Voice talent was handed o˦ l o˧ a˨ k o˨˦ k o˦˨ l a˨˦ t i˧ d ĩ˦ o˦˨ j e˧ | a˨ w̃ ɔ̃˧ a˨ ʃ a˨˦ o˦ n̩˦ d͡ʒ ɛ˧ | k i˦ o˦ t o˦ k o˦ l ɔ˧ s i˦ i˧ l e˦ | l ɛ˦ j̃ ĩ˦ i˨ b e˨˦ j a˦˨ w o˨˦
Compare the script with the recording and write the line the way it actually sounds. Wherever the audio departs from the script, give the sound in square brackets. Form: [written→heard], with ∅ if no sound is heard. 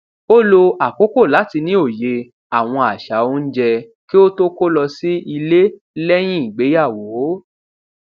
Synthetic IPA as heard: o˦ l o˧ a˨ k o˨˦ k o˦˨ l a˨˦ t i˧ [d→n] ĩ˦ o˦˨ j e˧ | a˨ w̃ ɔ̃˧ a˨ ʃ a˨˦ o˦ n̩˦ d͡ʒ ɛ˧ | k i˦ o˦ t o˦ k o˦ l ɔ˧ s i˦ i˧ l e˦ | l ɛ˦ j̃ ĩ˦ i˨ [b→ɡ͡b] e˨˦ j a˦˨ w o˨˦